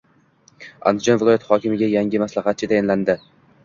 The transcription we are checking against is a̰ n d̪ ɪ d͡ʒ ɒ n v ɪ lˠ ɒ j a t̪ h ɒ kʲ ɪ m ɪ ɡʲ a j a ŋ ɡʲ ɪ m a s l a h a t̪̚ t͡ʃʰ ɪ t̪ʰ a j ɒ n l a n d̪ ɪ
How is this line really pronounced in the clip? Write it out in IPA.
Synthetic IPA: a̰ n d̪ ɪ d͡ʒ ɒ n v ɪ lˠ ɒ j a t̪ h ɒ kʲ ɪ m ɪ ɡʲ a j a ŋ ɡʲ ɪ m a s l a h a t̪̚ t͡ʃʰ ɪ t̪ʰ a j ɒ n l a n d̪ ɪ